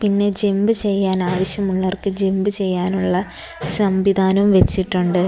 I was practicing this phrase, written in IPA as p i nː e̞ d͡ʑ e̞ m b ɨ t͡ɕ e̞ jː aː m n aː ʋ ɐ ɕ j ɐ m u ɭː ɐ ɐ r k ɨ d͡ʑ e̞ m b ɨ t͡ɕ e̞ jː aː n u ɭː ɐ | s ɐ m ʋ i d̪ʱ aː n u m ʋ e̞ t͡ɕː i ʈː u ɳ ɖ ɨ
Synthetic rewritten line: p i nː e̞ d͡ʑ e̞ m b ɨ t͡ɕ e̞ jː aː n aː ʋ ɐ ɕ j ɐ m u ɭː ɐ ɐ r k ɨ d͡ʑ e̞ m b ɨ t͡ɕ e̞ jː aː n u ɭː ɐ | s ɐ m ʋ i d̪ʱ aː n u m ʋ e̞ t͡ɕː i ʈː u ɳ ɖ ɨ